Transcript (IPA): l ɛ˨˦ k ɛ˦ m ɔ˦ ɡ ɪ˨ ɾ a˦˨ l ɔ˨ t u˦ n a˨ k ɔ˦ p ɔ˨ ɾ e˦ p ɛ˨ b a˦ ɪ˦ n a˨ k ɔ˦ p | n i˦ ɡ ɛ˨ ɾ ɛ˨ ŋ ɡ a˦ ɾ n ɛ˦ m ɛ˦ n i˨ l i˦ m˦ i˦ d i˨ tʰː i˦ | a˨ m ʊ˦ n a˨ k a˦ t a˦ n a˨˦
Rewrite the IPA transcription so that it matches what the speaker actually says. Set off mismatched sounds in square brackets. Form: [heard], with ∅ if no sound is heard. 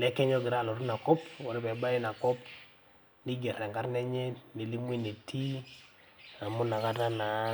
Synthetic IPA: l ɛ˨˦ k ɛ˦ [ɲ] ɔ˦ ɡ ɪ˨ ɾ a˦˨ l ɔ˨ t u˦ n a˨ k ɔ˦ p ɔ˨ ɾ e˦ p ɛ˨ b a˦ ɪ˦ n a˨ k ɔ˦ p | n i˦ ɡ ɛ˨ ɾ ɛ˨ ŋ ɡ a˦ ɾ n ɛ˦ [ɲ] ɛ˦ n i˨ l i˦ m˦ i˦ [n] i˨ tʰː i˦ | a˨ m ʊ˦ n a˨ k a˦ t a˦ n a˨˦

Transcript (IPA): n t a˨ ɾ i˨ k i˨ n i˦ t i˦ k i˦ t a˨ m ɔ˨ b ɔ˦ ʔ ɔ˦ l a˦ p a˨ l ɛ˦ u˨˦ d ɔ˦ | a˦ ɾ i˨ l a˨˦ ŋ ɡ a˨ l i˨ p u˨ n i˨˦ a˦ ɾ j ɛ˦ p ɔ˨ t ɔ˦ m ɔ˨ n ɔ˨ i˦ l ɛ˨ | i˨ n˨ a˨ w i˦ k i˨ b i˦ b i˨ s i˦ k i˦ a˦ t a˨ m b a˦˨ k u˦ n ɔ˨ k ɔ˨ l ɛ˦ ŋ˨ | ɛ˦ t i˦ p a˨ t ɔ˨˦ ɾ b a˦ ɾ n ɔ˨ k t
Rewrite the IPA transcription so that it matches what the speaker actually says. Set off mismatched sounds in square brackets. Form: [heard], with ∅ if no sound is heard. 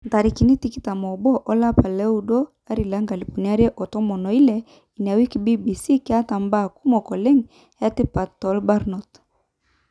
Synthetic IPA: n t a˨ ɾ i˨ k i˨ n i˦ t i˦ k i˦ t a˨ m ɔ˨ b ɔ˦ ʔ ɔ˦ l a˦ p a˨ l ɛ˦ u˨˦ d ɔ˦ | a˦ ɾ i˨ l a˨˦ ŋ ɡ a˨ l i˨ p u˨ n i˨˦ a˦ ɾ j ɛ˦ [ʔ] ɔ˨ t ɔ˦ m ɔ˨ n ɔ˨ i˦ l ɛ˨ | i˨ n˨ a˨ w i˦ k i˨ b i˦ b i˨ s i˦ k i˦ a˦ t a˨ m b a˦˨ k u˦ [m] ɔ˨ k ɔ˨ l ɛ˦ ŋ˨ | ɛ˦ t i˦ p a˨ t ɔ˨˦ [l] b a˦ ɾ n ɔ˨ [∅] t

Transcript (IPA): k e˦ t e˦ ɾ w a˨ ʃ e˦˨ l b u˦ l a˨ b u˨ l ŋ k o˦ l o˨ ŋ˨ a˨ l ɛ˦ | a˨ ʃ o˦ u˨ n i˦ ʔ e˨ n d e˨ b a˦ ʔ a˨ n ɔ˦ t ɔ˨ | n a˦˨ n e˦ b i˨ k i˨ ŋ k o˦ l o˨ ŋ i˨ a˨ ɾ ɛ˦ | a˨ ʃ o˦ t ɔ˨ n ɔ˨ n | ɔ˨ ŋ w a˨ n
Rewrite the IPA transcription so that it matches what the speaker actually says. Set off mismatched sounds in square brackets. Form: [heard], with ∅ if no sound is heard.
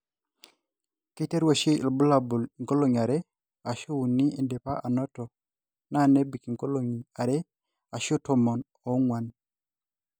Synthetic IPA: k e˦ t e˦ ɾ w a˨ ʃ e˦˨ l b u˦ l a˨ b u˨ l ŋ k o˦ l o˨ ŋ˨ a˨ [ɾ] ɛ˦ | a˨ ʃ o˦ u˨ n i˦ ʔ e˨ n d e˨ [p] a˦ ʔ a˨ n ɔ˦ t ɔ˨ | n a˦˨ n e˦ b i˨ k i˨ ŋ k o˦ l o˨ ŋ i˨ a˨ ɾ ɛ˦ | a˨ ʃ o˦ t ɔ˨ [m] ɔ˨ n | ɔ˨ ŋ w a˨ n

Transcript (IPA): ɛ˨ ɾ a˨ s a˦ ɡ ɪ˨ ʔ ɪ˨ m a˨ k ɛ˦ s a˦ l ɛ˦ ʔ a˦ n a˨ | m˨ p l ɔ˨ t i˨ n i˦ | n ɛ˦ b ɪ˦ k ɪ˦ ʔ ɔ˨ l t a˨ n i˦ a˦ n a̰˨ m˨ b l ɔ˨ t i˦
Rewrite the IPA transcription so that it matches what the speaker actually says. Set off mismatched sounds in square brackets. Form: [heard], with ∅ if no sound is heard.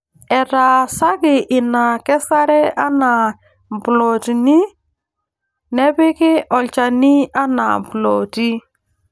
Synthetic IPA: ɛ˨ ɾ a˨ s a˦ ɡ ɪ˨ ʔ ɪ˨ [n] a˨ k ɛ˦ s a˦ [ɾ] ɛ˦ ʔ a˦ n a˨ | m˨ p l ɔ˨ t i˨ n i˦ | n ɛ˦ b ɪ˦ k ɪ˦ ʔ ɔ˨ l [t͡ʃ] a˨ n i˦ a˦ n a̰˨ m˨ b l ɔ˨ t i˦

